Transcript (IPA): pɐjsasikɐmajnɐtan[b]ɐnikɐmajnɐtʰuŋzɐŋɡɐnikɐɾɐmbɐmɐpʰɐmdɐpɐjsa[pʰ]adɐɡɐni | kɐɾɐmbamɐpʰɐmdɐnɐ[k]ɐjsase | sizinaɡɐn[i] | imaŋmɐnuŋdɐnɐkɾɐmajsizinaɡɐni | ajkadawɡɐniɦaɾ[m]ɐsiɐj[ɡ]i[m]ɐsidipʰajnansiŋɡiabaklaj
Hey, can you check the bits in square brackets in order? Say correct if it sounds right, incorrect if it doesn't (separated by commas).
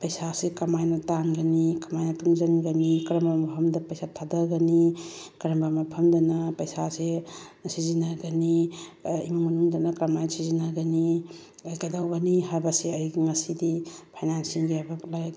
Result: incorrect, incorrect, incorrect, correct, incorrect, correct, incorrect